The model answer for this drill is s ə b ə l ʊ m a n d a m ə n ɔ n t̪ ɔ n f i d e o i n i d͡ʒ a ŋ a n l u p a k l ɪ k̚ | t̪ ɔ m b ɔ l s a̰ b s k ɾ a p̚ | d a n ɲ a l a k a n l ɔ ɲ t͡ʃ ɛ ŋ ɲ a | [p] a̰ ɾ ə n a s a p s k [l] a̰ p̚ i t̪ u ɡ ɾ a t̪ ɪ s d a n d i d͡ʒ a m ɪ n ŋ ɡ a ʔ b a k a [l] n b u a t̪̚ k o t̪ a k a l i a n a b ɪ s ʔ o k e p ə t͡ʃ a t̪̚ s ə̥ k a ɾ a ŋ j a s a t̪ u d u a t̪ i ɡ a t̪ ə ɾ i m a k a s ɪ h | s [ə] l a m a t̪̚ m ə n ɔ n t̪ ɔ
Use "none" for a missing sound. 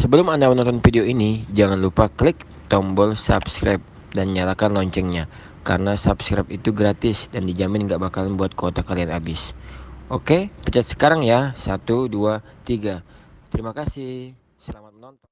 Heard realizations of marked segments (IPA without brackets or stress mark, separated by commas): k, ɾ, l, ə